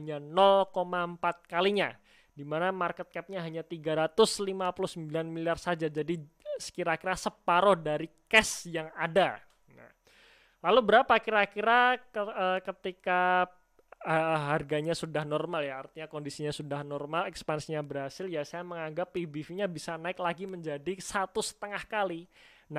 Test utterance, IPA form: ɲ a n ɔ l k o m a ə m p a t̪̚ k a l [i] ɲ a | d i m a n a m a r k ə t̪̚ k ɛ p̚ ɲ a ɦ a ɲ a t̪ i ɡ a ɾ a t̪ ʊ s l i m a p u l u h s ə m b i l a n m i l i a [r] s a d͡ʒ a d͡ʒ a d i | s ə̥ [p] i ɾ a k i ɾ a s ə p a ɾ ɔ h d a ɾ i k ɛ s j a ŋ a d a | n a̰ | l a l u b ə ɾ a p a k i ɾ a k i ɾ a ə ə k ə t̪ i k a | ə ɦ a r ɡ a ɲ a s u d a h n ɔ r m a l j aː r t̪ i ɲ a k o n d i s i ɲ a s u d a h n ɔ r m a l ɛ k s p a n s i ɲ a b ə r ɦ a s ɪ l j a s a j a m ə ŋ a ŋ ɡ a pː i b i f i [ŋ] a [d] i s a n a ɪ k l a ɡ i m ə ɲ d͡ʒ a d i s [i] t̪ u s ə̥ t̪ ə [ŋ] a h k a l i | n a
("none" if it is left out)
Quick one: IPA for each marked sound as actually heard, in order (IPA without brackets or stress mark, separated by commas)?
i, r, k, ɲ, b, a, ŋ